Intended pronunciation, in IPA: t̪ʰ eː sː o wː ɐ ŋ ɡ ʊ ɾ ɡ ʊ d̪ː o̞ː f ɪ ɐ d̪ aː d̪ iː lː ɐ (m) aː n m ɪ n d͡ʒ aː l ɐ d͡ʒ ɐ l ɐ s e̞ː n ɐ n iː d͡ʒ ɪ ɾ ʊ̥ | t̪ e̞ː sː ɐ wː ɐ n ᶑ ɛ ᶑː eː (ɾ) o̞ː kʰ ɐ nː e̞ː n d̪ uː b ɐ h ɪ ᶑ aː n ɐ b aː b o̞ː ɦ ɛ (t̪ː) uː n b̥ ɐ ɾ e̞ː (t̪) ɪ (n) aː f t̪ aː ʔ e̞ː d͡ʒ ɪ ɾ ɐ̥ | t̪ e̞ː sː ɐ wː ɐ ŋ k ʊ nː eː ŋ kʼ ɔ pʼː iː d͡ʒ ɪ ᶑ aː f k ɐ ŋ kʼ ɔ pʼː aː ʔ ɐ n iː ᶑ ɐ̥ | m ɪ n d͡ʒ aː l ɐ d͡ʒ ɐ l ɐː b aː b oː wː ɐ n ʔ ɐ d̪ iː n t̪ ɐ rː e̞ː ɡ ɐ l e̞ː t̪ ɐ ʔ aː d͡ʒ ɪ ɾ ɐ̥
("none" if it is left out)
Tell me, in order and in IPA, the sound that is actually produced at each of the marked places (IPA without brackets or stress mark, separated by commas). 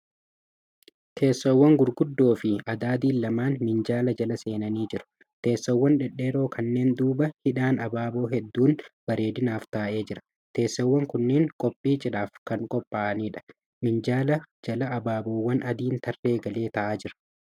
m, ɾ, d̪ː, d̪, n